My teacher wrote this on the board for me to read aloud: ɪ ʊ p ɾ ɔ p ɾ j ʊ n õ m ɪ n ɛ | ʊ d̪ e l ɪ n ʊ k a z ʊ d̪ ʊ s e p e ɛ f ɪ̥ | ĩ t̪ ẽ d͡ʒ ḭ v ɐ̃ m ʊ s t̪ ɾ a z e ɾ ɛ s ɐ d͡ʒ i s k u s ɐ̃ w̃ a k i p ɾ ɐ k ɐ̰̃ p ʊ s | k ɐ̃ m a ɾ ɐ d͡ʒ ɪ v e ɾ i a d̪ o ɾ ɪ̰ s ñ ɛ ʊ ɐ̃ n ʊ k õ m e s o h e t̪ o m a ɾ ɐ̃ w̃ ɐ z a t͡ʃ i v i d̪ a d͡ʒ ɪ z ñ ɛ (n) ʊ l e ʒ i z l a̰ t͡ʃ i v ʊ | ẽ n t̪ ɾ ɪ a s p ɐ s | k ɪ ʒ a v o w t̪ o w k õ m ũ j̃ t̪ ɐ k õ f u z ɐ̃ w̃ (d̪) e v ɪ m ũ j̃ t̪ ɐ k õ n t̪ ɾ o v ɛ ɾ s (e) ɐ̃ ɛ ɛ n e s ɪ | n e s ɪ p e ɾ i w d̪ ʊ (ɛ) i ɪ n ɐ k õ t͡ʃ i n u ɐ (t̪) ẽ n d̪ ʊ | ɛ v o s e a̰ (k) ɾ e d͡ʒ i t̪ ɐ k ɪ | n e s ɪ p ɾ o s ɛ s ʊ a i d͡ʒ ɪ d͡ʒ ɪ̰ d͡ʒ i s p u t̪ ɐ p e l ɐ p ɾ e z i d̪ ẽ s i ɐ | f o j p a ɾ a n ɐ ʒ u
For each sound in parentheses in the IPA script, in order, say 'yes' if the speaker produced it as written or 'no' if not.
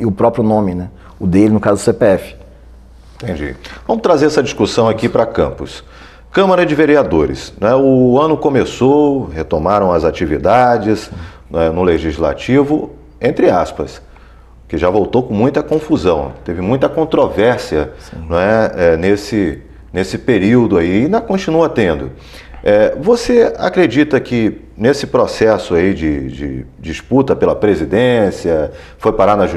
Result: yes, no, no, no, yes, yes

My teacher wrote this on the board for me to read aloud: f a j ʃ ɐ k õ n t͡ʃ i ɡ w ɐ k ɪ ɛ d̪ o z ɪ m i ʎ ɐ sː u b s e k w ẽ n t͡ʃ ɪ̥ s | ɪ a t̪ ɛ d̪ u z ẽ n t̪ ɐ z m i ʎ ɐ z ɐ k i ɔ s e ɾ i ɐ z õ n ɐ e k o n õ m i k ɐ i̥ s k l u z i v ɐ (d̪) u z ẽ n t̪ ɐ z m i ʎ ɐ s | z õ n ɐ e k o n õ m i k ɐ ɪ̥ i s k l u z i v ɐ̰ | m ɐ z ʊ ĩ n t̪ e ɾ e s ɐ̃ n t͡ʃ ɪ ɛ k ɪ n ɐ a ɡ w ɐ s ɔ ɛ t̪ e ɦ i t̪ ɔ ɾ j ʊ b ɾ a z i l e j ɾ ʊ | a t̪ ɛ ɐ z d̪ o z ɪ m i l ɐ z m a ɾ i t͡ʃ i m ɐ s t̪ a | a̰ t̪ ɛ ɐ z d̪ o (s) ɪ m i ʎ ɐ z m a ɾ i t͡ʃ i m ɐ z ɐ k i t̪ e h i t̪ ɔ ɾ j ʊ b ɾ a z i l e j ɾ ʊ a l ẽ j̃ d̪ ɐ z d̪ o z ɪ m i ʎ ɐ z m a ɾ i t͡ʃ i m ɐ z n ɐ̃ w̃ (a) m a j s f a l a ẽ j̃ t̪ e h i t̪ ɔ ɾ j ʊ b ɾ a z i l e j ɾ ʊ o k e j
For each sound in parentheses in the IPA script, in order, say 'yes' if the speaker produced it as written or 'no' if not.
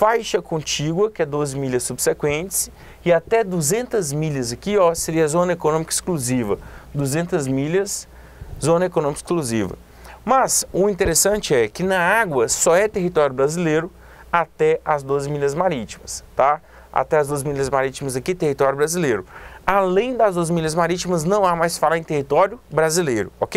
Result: yes, no, yes

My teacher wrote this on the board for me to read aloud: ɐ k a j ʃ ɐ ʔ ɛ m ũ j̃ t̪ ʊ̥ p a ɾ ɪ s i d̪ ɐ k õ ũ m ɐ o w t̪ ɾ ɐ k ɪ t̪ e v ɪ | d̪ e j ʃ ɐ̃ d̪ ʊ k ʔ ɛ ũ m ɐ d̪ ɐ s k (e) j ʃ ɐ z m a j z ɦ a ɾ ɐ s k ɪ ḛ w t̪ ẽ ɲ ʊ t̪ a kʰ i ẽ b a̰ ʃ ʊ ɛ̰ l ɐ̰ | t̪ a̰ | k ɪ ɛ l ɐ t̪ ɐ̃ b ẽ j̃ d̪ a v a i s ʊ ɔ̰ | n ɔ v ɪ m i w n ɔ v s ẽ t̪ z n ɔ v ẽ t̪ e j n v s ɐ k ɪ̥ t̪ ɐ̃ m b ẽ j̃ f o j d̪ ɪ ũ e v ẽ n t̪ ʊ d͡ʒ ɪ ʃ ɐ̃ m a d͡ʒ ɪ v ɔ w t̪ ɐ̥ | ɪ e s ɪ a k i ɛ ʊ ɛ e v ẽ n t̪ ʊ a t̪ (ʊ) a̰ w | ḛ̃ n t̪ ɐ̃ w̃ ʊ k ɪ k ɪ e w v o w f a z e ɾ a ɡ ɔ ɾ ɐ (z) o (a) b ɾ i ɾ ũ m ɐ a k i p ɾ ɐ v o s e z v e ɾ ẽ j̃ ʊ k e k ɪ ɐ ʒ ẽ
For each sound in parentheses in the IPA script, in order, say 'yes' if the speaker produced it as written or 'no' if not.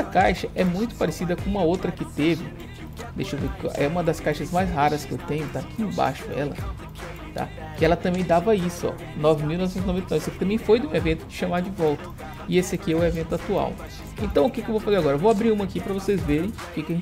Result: no, no, no, yes

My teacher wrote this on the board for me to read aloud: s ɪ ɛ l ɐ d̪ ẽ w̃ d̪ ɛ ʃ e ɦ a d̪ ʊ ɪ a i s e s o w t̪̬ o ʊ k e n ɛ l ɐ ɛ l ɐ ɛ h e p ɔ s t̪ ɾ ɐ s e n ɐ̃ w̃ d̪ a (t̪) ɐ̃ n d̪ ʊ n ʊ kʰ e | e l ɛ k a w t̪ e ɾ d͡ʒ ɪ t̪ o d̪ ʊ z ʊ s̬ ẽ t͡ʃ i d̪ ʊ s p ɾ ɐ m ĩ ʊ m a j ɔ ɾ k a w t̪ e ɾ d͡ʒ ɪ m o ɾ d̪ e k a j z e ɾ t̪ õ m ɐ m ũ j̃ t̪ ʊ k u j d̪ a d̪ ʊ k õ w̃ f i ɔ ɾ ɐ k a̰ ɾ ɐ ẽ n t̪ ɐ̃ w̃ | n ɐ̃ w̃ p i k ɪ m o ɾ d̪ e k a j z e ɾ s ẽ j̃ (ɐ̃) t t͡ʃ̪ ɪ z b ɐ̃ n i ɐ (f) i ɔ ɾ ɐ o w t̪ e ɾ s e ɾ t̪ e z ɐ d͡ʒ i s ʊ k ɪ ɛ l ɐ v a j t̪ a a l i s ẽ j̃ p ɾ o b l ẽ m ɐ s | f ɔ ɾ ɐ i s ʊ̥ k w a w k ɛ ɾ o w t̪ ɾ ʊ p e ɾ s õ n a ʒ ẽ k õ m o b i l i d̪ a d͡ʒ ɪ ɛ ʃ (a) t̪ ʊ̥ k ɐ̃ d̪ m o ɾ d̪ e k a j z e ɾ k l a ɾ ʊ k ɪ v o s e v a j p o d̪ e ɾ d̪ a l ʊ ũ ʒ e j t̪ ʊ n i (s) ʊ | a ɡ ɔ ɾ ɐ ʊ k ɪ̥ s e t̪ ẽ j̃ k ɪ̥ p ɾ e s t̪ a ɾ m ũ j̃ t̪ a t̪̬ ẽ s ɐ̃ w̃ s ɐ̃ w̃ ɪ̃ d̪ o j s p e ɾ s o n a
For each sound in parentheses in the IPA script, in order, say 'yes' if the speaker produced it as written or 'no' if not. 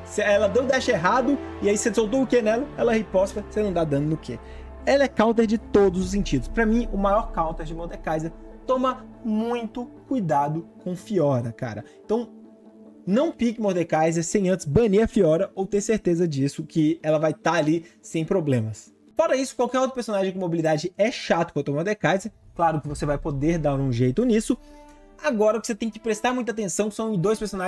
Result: no, yes, yes, yes, yes

